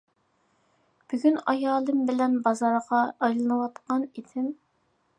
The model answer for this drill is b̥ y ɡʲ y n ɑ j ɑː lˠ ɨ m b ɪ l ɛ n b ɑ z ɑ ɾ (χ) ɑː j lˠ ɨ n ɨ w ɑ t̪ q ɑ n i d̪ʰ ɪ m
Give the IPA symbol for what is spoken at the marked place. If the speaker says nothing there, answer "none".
ʁ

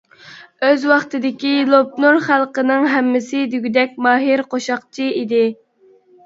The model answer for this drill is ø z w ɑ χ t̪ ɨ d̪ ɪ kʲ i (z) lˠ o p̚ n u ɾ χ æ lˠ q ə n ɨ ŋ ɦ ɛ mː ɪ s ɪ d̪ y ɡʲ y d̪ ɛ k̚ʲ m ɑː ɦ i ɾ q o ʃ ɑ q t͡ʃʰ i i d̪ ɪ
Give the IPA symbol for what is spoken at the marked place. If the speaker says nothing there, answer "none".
none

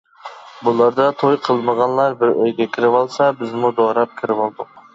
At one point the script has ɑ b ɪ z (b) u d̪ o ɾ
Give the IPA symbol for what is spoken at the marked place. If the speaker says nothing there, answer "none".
m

